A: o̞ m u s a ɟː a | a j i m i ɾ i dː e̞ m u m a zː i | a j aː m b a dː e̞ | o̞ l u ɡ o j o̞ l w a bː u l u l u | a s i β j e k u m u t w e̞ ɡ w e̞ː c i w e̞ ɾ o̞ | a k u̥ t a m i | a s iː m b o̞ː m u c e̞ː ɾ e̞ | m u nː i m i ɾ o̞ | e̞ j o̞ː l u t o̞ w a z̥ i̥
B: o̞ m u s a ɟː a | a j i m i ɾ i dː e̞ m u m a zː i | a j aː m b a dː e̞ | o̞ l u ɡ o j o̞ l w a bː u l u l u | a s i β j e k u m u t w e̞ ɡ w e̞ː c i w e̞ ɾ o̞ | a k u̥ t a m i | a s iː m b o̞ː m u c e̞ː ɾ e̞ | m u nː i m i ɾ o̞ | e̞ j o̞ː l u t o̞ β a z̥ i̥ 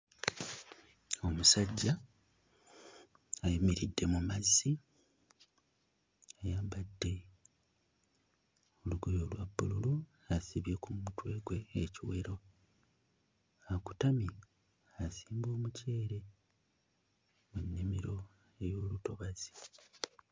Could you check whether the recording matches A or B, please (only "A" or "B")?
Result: B